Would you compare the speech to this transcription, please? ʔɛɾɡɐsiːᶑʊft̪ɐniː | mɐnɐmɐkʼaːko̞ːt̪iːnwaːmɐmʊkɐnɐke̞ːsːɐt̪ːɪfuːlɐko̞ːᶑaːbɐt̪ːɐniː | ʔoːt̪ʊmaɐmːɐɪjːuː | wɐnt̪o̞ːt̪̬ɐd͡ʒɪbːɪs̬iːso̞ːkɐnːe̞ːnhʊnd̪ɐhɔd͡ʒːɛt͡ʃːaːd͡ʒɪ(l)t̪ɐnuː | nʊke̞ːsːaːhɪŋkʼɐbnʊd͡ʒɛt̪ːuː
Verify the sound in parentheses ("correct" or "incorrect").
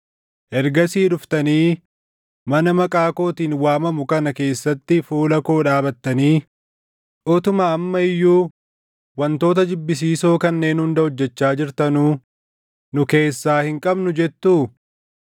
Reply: incorrect